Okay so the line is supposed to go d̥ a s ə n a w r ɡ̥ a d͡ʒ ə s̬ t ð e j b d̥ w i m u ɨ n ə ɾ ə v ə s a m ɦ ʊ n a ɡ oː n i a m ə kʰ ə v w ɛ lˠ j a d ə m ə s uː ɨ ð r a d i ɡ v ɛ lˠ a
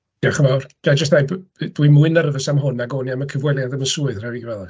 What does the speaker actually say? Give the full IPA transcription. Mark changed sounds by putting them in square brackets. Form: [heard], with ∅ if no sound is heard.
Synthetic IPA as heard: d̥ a [χ] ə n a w r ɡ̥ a d͡ʒ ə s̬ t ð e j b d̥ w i m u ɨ n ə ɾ ə v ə s a m ɦ ʊ n a ɡ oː n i a m ə kʰ ə v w ɛ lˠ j a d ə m ə s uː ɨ ð r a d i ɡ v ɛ lˠ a